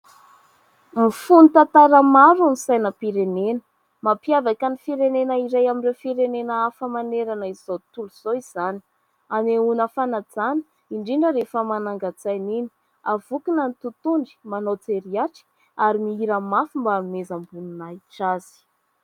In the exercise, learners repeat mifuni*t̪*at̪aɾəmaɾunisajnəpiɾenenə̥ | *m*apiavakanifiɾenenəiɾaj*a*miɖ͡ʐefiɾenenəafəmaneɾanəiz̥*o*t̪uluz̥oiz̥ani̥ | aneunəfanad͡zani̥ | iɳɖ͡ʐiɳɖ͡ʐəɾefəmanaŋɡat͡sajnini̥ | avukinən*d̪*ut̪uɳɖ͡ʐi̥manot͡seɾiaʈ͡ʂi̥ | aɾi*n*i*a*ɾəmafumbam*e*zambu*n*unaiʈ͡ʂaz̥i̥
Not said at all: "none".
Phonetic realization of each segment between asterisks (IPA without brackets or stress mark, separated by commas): t̪, m, a, o, t̪, m, i, e, n